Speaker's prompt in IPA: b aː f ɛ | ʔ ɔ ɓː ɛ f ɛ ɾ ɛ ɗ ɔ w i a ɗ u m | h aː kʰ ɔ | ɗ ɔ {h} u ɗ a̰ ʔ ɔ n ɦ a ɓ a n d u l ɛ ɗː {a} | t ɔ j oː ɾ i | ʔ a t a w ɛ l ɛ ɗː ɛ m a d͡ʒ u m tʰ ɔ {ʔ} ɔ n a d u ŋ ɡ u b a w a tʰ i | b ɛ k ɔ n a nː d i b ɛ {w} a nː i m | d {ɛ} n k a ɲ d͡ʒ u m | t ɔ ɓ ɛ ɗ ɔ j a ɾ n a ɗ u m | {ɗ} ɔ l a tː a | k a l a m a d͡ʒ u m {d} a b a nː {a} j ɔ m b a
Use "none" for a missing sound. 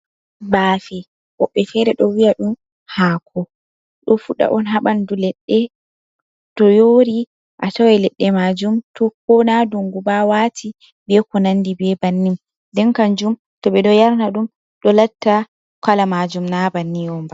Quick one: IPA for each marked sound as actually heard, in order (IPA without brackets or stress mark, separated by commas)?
f, ɛ, k, b, ɛ, ɗ, n, i